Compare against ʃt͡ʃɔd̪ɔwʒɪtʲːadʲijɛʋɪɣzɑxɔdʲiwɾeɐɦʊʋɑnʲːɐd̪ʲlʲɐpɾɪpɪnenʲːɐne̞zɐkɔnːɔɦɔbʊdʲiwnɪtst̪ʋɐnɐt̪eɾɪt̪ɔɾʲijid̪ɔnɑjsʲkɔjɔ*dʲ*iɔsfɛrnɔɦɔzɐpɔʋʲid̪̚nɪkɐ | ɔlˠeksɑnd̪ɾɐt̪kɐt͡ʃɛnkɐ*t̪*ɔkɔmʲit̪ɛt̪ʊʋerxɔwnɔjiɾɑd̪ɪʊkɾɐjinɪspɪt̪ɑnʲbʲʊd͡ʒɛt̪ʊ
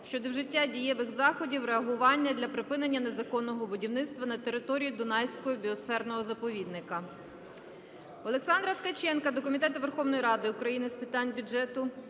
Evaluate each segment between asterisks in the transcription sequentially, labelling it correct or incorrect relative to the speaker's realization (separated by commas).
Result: incorrect, incorrect